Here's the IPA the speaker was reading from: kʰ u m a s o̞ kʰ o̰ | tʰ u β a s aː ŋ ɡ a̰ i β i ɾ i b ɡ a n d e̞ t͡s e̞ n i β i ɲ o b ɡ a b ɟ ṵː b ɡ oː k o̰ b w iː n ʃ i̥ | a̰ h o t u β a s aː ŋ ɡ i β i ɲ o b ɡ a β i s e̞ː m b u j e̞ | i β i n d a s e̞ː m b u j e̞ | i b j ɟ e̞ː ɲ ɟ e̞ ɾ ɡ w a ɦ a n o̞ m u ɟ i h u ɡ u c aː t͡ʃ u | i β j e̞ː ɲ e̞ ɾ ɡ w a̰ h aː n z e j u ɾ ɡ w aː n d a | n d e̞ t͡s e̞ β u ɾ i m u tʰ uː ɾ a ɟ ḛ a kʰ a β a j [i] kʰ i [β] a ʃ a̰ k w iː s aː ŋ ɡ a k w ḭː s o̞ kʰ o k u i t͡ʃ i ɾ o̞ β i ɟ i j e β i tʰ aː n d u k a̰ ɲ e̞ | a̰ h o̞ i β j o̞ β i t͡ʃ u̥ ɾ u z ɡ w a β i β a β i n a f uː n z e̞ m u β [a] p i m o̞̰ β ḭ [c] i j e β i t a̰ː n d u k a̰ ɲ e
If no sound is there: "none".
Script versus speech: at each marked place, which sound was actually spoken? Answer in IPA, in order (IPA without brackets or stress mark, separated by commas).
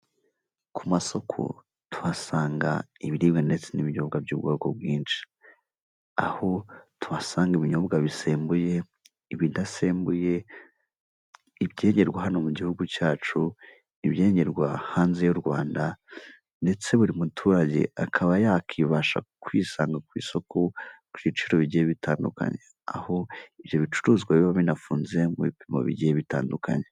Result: a, β, i, ɟ